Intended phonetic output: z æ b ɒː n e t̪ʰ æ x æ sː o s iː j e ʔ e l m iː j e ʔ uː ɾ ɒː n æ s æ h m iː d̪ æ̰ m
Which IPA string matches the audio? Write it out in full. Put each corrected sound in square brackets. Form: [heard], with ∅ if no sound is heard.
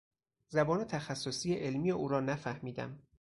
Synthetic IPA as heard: z æ b ɒː n e t̪ʰ æ x æ sː o s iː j e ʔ e l m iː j e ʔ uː ɾ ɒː n æ [f] æ h m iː d̪ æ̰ m